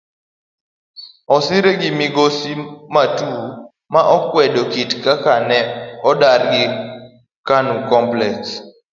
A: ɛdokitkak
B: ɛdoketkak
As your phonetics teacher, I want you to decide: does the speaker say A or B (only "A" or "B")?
A